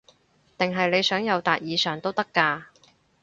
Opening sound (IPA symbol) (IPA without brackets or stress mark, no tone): t̪